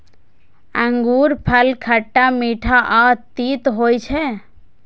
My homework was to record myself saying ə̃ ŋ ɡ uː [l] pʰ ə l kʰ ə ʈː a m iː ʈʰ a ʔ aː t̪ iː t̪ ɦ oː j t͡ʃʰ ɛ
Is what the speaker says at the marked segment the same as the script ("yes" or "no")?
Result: no